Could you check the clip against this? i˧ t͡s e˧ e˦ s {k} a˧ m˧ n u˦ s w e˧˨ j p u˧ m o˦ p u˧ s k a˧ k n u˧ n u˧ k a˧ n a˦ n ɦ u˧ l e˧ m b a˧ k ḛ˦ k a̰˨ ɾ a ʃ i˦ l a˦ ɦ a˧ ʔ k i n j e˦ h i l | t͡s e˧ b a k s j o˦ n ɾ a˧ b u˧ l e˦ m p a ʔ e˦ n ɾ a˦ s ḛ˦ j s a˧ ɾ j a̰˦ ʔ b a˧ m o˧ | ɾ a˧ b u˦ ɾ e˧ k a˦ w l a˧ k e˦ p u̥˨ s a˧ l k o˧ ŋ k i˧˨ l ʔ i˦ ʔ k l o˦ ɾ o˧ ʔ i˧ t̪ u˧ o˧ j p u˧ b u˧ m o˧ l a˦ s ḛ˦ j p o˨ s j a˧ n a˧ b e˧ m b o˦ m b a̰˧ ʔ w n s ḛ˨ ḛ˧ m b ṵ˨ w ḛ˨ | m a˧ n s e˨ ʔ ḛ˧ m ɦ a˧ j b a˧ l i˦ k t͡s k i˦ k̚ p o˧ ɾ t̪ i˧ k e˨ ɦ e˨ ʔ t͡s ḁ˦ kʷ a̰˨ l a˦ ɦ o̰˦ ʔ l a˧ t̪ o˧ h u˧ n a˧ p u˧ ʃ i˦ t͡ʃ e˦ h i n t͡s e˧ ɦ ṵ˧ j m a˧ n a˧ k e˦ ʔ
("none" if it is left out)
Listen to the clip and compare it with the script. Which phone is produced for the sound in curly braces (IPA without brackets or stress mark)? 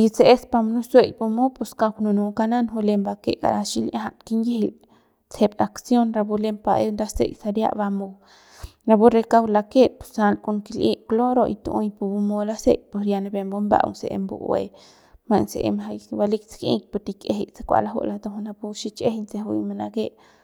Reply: p